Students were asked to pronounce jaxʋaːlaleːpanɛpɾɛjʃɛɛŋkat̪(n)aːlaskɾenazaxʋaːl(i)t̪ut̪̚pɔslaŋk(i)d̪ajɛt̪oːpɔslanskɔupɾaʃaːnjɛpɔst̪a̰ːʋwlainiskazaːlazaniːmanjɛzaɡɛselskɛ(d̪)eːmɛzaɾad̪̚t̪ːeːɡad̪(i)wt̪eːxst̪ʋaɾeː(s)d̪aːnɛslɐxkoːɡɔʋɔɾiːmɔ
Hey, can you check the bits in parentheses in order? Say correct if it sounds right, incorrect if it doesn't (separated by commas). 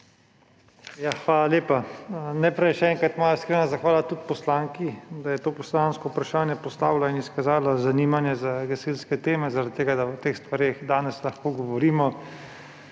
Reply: incorrect, incorrect, correct, incorrect, incorrect, incorrect